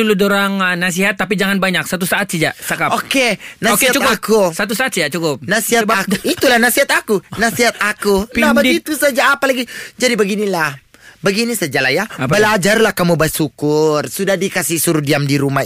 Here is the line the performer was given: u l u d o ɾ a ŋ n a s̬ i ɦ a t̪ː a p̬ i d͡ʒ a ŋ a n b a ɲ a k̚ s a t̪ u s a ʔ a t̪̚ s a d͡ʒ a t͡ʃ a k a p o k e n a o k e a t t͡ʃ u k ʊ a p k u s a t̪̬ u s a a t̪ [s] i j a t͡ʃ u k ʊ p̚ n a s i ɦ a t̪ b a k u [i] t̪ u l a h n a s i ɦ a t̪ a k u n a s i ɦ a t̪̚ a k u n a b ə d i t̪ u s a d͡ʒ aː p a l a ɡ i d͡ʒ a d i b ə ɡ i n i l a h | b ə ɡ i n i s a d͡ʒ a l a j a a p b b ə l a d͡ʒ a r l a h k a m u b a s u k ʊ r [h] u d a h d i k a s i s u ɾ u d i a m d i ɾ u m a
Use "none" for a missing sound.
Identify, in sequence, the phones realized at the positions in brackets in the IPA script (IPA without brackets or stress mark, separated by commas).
s, i, s